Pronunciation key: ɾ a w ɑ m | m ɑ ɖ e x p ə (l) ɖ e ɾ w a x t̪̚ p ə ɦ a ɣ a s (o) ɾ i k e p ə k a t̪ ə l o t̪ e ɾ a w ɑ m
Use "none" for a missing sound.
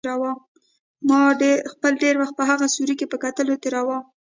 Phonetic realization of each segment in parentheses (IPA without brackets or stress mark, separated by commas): l, u